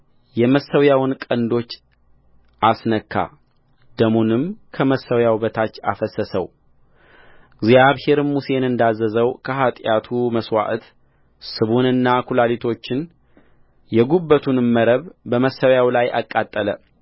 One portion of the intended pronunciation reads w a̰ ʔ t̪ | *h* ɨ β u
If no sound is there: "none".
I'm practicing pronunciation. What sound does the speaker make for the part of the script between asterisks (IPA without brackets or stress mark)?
s